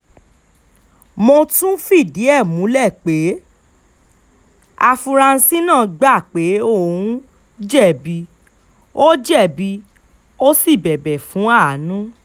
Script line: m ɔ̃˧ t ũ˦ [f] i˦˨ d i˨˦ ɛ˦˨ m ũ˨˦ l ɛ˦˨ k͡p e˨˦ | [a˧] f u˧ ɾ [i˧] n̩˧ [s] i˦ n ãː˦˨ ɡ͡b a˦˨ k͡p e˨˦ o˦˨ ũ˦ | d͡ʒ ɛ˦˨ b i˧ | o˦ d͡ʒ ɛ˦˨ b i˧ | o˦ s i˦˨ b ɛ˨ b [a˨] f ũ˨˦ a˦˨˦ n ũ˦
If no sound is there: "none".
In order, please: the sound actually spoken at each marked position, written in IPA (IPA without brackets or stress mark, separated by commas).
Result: f, a˧, a˧, s, ɛ˨